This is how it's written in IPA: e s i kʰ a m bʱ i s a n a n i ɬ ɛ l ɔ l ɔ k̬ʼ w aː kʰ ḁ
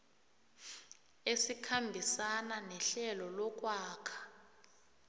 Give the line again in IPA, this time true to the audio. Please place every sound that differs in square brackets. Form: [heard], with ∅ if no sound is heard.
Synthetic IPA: e s i kʰ a m bʱ i s a n a n [ɛ] ɬ ɛ l ɔ l ɔ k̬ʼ w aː kʰ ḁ